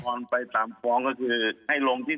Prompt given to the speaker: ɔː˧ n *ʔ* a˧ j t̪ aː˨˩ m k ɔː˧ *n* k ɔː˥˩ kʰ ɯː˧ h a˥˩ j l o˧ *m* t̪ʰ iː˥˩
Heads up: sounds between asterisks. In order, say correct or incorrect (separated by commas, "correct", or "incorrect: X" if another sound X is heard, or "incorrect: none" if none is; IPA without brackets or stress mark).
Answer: incorrect: p, incorrect: ŋ, incorrect: ŋ